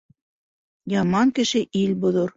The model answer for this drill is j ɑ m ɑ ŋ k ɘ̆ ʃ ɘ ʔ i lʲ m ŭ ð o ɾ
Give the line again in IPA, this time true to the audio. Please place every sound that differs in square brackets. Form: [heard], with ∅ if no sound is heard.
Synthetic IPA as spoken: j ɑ m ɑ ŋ k ɘ̆ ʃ ɘ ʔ i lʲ [b] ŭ ð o ɾ